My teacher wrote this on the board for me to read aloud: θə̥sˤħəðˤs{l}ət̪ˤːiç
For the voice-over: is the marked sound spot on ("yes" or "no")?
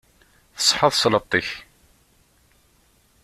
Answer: yes